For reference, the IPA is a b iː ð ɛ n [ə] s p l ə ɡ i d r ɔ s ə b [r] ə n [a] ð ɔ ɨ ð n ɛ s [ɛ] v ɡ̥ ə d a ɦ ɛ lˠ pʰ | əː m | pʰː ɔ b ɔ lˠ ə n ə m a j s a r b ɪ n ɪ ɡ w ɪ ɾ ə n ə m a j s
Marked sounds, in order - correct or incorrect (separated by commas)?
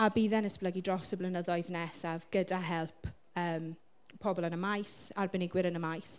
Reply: correct, incorrect, incorrect, incorrect